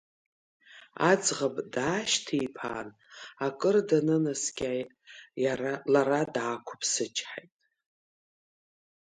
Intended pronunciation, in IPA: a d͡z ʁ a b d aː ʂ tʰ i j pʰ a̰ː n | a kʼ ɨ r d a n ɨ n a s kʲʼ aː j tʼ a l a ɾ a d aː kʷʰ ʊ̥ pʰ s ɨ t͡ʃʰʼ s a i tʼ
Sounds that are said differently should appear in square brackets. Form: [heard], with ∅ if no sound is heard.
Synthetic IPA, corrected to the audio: a d͡z ʁ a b d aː [ʃ] tʰ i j pʰ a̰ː n | a kʼ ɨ r d a n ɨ n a s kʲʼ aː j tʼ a l a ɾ a d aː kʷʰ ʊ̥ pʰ s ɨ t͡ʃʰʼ [ħ] a [j] tʼ

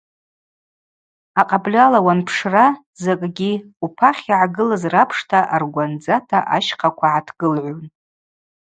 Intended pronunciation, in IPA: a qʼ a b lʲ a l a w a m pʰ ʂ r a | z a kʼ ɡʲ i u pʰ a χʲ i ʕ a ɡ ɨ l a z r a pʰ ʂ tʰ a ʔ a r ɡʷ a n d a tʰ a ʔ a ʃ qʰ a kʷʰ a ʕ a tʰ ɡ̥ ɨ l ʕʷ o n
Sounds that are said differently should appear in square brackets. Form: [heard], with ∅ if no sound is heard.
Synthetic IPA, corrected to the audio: a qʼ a b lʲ a l a w a [n] pʰ ʂ r a | z a kʼ ɡʲ i u pʰ a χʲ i ʕ a ɡ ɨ l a z r a pʰ ʂ tʰ a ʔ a r ɡʷ a n [d͡z] a tʰ a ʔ a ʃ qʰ a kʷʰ a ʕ a tʰ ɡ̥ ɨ l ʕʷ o n

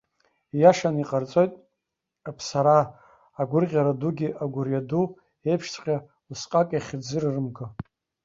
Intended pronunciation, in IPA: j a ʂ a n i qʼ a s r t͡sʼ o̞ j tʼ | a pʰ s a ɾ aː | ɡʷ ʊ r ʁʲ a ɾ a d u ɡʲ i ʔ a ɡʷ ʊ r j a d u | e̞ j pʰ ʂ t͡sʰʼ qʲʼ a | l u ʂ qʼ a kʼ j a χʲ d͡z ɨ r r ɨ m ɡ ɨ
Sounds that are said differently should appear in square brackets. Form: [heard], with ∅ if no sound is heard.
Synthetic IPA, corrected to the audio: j a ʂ a n i qʼ a [∅] r t͡sʼ o̞ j tʼ | a pʰ s a ɾ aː | ɡʷ ʊ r ʁʲ a ɾ a d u ɡʲ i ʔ a ɡʷ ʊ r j a d u | e̞ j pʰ ʂ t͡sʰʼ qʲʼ a | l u [s] qʼ a kʼ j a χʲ d͡z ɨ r r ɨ m ɡ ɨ

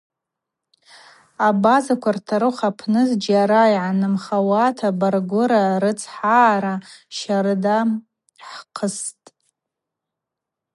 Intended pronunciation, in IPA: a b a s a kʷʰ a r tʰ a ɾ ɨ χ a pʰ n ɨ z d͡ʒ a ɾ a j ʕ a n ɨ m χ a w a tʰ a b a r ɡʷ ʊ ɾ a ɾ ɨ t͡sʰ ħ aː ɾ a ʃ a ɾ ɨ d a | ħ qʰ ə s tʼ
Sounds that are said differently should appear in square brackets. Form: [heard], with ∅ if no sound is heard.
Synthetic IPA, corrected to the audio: a b a [z] a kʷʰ a r tʰ a ɾ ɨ χ a pʰ n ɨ z d͡ʒ a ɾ a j ʕ a n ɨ m χ a w a tʰ a b a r ɡʷ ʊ ɾ a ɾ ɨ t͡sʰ ħ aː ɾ a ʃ a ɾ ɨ d a | ħ qʰ ə s tʼ

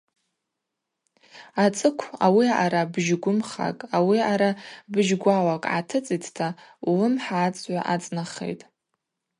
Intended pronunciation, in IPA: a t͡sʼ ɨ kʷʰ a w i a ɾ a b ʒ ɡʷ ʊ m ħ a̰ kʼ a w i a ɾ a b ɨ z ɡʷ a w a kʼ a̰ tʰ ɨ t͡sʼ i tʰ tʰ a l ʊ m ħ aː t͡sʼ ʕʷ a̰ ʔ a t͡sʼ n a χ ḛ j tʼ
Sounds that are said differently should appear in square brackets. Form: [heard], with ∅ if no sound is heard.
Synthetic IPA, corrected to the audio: a t͡sʼ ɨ kʷʰ a w i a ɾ a b ʒ ɡʷ ʊ m [χ] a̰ kʼ a w i a ɾ a b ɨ [ʒ] ɡʷ a w a kʼ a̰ tʰ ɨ t͡sʼ i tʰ tʰ a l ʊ m ħ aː t͡sʼ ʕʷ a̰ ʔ a t͡sʼ n a χ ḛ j tʼ

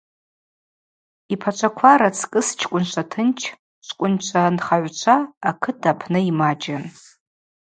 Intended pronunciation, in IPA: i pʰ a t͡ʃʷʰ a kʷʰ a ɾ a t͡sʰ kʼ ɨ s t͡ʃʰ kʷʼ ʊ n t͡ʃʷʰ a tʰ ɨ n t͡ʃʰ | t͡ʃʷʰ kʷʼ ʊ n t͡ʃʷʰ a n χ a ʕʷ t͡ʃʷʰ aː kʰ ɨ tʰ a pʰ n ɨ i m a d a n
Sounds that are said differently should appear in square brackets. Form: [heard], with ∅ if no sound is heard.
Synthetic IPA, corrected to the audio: i pʰ a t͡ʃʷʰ a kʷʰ a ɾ a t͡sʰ kʼ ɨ s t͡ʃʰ kʷʼ ʊ n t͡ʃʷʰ a tʰ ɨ n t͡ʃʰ | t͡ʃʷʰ kʷʼ ʊ n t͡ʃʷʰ a n χ a ʕʷ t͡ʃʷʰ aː kʰ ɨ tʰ a pʰ n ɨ i m a [d͡ʒ] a n

